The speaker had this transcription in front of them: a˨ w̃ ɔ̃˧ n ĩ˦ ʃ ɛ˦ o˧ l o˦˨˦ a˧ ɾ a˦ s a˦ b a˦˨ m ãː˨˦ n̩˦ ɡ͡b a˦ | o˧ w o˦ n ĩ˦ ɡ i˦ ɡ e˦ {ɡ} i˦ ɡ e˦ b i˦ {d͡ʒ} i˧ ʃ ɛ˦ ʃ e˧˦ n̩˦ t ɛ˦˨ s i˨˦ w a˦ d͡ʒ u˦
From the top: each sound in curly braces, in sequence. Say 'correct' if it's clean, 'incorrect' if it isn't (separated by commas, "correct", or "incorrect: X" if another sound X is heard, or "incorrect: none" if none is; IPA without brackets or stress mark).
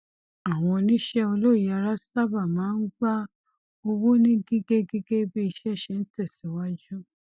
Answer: correct, incorrect: none